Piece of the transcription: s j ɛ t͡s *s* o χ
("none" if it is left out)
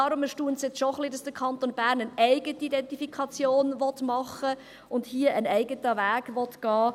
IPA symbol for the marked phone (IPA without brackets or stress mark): ʃ